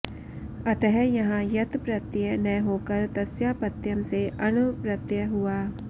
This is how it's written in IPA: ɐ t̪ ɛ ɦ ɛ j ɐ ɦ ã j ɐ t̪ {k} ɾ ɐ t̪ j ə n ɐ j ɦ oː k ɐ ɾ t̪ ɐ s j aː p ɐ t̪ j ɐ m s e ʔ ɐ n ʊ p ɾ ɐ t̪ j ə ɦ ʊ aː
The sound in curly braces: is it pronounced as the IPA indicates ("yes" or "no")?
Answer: no